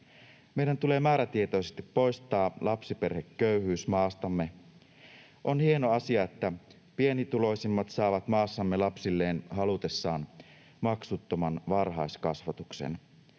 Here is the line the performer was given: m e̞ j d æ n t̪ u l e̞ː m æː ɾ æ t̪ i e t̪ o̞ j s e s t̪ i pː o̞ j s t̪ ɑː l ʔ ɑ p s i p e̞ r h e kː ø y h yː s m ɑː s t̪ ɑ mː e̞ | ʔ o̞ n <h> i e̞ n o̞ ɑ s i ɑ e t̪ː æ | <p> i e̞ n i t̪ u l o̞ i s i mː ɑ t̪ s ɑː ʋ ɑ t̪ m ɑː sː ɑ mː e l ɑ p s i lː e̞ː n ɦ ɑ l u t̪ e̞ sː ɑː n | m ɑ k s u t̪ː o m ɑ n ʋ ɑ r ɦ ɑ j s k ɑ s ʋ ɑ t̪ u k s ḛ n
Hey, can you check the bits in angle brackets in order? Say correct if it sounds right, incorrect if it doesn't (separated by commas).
correct, correct